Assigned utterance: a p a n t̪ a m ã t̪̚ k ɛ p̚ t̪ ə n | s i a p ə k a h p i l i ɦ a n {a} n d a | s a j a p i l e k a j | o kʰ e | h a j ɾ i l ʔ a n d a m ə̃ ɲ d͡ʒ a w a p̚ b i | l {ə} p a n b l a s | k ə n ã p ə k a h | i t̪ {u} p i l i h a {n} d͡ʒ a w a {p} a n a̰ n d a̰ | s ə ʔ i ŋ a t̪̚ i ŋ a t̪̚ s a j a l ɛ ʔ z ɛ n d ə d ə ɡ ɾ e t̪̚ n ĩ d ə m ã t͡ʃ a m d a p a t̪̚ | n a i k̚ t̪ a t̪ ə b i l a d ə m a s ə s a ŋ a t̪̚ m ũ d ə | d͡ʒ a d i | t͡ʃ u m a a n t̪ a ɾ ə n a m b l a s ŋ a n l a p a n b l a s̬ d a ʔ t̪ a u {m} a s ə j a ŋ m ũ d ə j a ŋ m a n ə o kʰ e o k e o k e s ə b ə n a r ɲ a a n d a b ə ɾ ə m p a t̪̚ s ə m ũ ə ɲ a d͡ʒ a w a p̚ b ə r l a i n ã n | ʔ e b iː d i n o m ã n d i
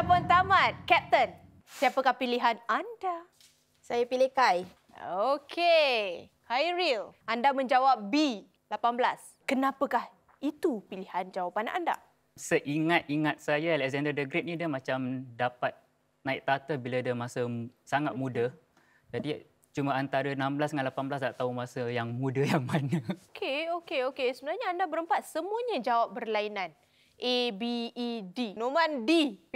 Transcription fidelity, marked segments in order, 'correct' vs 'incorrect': correct, incorrect: a, correct, correct, correct, correct

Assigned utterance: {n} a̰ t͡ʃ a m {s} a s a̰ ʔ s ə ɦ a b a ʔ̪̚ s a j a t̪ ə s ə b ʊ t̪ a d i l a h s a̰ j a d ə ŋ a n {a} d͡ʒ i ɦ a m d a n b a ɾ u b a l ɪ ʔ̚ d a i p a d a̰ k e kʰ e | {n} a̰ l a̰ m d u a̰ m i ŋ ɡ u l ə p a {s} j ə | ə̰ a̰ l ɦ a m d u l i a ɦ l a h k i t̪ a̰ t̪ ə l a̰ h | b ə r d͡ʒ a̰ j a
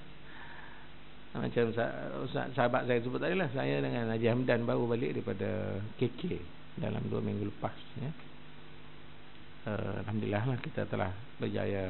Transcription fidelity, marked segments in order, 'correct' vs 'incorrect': incorrect: m, correct, correct, incorrect: d, correct

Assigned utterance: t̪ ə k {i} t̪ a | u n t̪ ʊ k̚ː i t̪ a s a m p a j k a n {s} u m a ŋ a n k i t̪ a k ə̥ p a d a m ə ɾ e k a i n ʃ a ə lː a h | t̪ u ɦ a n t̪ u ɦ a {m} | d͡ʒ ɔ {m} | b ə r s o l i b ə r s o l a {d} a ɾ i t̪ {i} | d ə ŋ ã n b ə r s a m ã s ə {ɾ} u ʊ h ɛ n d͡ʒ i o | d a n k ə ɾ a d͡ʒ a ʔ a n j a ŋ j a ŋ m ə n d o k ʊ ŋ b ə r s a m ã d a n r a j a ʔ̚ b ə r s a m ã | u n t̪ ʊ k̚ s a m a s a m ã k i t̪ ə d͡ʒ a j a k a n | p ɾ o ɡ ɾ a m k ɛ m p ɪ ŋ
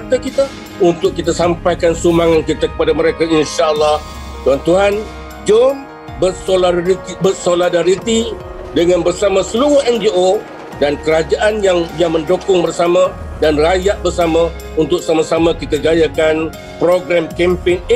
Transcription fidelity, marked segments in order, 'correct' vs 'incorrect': correct, correct, incorrect: n, correct, correct, correct, incorrect: l

